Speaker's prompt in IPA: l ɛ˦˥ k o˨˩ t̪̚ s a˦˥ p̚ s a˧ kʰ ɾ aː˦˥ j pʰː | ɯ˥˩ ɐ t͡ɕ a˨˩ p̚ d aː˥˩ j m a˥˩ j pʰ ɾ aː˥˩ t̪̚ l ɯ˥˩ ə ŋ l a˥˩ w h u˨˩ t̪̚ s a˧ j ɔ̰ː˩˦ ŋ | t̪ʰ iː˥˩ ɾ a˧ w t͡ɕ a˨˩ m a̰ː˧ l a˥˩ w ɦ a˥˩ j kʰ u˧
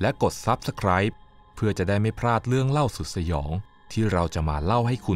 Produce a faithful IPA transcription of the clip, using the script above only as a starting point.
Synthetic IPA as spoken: l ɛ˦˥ k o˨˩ t̪̚ s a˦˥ p̚ s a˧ kʰ ɾ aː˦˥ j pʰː | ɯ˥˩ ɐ t͡ɕ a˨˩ d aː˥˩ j m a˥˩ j pʰ ɾ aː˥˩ t̪̚ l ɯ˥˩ ə ŋ l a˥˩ w s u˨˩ t̪̚ s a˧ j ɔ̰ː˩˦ ŋ | t̪ʰ iː˥˩ ɾ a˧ w t͡ɕ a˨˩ m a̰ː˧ l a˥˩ w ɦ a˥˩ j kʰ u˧